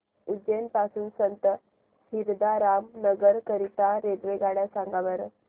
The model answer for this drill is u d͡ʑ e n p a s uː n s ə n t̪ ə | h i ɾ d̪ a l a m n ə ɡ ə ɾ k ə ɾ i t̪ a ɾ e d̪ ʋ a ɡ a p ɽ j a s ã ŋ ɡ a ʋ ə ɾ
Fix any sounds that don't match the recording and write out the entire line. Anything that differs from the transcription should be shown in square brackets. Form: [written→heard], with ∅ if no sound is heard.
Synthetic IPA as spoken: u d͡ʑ e n p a s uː n s ə n t̪ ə | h i ɾ d̪ a [l→ɾ] a m n ə ɡ ə ɾ k ə ɾ i t̪ a ɾ e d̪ ʋ [a→e] ɡ a [p→∅] ɽ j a s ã ŋ ɡ a ʋ ə ɾ